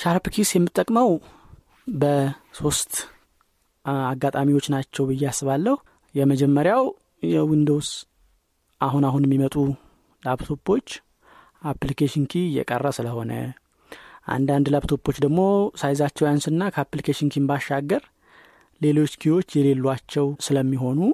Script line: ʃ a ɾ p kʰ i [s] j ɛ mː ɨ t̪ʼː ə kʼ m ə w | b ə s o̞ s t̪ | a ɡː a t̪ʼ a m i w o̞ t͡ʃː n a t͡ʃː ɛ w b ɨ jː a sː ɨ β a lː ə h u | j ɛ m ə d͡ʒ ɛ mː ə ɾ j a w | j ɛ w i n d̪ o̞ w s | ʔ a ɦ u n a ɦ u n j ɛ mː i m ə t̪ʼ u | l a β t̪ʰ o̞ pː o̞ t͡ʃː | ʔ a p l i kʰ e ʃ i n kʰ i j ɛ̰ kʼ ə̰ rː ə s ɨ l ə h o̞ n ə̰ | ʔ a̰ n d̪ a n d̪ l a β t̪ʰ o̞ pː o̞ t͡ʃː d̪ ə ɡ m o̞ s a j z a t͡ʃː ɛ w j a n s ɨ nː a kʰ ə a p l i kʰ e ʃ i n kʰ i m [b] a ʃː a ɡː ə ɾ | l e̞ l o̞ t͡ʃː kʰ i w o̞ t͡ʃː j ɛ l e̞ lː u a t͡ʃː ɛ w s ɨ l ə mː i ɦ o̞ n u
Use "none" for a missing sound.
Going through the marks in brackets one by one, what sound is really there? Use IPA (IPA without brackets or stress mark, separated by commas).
s, b